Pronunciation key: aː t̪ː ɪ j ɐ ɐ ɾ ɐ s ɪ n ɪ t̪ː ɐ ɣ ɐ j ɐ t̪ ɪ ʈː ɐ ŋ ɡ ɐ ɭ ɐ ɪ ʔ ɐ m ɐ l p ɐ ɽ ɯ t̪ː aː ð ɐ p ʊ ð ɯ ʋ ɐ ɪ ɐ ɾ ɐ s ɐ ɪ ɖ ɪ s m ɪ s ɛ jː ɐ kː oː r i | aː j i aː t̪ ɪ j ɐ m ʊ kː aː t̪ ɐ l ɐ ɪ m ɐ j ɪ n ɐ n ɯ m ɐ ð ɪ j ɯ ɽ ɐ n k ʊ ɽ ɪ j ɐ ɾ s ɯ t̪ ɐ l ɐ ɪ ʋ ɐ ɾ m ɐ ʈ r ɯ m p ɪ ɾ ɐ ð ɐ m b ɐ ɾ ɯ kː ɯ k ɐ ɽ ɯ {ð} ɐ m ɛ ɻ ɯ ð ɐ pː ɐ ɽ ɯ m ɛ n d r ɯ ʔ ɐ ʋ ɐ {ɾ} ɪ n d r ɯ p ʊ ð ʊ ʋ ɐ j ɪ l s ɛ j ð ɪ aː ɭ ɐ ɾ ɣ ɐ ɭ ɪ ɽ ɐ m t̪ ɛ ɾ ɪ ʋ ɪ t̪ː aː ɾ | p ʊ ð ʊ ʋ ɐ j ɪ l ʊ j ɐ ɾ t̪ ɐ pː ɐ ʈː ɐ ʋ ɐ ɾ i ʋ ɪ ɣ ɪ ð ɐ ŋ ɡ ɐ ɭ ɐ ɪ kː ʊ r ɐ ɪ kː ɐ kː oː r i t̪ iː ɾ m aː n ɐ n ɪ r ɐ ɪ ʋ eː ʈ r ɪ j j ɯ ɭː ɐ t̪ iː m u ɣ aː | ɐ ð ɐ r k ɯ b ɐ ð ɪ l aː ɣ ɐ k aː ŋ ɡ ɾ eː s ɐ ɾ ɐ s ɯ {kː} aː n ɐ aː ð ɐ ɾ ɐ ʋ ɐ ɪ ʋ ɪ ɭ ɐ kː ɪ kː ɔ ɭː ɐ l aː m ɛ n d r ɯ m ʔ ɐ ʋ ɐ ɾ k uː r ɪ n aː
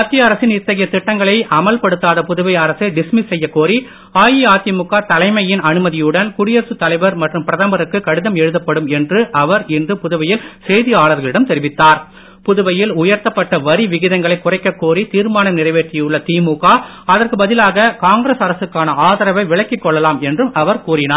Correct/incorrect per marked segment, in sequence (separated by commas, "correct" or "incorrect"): correct, correct, correct